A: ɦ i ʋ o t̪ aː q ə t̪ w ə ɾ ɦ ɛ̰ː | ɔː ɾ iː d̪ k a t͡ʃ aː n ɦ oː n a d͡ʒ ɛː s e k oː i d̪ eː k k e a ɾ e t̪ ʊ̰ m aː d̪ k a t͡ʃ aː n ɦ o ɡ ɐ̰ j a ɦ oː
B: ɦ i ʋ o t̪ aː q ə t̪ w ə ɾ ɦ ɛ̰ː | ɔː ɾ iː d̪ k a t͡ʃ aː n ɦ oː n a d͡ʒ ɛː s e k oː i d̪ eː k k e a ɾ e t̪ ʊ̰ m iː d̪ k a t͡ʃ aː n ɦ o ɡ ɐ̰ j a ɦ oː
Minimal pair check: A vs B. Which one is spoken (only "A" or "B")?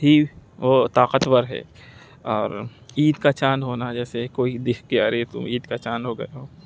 B